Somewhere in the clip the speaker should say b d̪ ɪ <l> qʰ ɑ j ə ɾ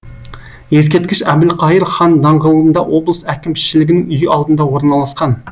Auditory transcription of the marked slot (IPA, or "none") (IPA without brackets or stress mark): l